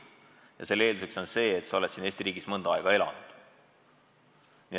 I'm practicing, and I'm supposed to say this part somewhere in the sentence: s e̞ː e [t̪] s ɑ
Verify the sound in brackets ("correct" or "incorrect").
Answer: correct